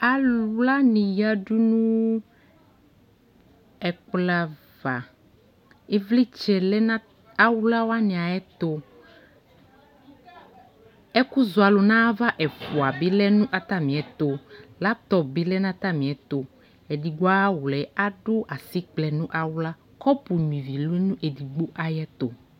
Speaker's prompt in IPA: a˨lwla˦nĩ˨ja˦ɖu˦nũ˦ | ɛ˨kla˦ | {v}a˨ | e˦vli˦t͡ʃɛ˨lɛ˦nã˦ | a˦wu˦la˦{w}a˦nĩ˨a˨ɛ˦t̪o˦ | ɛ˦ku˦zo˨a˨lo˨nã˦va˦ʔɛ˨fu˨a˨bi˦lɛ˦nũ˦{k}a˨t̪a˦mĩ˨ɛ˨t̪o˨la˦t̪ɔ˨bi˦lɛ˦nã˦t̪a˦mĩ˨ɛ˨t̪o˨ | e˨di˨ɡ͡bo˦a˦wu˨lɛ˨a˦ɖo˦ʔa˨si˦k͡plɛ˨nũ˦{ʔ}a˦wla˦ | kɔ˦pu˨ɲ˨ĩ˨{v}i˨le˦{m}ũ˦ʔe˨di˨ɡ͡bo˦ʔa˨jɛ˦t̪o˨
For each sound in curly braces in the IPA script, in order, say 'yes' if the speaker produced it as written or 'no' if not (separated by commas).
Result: yes, yes, no, yes, yes, no